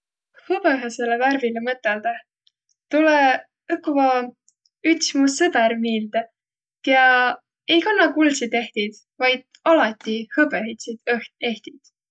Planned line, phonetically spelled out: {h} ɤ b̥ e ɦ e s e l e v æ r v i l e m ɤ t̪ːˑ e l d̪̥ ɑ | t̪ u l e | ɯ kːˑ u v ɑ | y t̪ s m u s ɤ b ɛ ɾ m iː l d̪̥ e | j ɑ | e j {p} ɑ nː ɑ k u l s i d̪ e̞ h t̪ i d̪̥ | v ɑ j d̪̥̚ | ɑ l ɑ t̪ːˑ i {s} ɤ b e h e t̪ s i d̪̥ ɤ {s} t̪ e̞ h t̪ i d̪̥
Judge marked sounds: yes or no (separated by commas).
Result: yes, no, no, no